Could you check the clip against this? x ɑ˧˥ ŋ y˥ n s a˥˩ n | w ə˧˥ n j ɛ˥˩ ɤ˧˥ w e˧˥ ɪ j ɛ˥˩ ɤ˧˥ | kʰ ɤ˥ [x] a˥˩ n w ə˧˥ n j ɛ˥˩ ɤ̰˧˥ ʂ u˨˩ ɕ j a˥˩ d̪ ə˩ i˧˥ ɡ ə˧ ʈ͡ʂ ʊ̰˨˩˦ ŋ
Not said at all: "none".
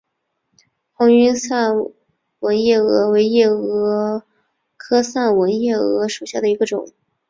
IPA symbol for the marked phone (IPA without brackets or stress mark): s